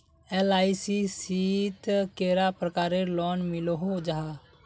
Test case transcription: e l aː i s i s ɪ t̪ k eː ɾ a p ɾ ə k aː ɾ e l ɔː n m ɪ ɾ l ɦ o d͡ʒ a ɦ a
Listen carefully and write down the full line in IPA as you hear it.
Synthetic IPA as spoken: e l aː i s i s i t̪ k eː ɾ a p ɾ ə k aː ɾ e l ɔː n m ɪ l ɦ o d͡ʒ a ɦ a